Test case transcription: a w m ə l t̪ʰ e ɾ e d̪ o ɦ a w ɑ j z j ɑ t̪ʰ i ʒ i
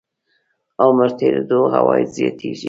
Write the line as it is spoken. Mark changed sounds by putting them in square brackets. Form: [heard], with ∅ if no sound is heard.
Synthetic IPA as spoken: a w m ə [ɾ] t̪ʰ e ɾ e d̪ o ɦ a w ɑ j z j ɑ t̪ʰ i ʒ i